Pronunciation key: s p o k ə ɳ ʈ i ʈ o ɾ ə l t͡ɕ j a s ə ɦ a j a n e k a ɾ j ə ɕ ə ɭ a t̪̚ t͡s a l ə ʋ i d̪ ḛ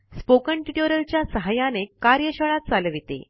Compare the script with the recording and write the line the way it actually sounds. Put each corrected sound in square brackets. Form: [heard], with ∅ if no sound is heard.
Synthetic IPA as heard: s p o k ə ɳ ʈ i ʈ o ɾ ə l t͡ɕ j a s ə ɦ a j a n e k a ɾ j ə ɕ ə ɭ a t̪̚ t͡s a l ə ʋ i [t̪] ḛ